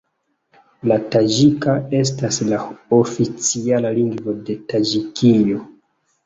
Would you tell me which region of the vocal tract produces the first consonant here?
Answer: tongue tip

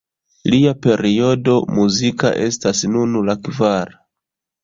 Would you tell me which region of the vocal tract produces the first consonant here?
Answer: tongue tip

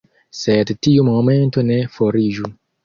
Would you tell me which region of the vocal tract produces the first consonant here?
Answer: tongue tip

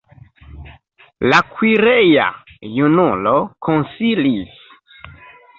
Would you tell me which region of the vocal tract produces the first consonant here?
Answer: tongue tip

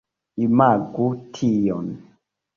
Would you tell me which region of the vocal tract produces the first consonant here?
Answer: lips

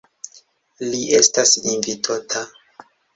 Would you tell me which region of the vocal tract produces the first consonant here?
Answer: tongue tip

